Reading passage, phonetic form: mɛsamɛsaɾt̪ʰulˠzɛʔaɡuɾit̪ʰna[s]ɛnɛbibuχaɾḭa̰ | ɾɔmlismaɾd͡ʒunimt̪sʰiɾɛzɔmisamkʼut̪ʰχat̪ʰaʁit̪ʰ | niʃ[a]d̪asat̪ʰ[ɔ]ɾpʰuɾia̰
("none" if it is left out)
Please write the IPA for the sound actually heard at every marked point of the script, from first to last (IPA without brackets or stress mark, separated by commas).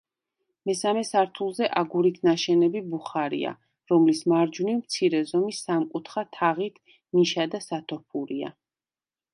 ʃ, a, ɔ